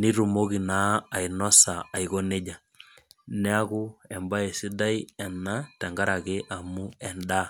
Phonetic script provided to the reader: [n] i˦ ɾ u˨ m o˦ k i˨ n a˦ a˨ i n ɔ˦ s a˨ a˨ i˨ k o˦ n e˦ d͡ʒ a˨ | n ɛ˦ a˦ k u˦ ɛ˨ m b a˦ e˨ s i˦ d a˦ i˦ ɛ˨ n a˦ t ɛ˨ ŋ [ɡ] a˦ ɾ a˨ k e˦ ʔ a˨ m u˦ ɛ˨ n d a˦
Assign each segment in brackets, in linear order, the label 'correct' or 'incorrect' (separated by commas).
correct, correct